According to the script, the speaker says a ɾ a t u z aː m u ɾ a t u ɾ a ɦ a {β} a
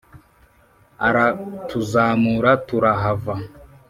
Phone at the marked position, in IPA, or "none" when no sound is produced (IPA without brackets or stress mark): v